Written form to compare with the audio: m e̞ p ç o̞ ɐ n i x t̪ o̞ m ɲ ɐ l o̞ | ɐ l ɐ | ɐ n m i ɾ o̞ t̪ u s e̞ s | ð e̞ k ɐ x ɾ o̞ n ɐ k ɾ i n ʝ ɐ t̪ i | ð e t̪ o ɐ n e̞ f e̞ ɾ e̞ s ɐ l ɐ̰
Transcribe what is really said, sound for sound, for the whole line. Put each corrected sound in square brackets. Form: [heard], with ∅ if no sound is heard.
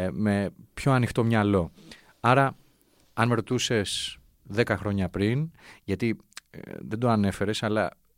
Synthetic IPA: m e̞ p ç o̞ ɐ n i x t̪ o̞ m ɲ ɐ l o̞ | ɐ [ɾ] ɐ | ɐ n m [e] ɾ o̞ t̪ u s e̞ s | ð e̞ k ɐ x ɾ o̞ [ɲ] ɐ [p] ɾ i n ʝ ɐ t̪ i | ð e [d̪] o ɐ n e̞ f e̞ ɾ e̞ s ɐ l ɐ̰